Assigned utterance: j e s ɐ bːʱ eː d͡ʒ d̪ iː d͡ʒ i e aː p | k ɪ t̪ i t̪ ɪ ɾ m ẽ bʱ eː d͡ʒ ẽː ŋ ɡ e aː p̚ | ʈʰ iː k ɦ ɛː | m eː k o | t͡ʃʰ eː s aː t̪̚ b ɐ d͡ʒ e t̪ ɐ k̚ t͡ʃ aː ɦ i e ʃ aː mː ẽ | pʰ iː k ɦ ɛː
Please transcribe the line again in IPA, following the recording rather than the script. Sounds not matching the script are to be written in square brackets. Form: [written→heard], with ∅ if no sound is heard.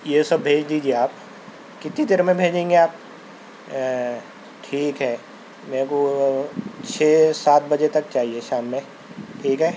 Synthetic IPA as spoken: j e s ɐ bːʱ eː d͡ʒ d̪ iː d͡ʒ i e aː p | k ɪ t̪ i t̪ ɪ ɾ m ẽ bʱ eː d͡ʒ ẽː ŋ ɡ e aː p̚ | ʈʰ iː k ɦ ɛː | m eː k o | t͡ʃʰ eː s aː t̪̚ b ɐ d͡ʒ e t̪ ɐ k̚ t͡ʃ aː ɦ i e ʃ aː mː ẽ | [pʰ→ʈʰ] iː k ɦ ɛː